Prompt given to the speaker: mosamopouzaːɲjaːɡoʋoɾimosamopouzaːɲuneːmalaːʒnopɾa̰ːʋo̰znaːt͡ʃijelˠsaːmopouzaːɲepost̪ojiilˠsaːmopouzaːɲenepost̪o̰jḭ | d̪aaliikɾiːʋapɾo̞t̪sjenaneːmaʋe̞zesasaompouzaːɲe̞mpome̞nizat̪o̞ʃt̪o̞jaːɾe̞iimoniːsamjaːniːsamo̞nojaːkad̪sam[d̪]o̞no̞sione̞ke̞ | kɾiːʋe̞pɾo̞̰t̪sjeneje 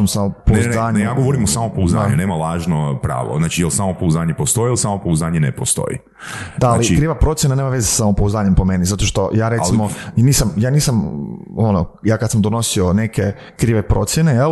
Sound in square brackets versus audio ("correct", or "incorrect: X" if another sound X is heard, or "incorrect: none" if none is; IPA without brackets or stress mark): correct